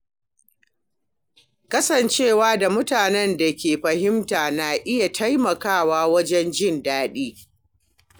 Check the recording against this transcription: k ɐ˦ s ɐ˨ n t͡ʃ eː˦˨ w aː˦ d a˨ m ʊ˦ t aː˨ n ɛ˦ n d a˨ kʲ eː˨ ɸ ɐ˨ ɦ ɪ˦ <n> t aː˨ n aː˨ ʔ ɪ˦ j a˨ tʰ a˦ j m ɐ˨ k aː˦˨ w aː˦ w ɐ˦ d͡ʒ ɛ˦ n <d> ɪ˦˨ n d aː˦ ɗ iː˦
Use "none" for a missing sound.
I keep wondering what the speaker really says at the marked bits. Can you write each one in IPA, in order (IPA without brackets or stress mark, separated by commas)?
m, d͡ʒ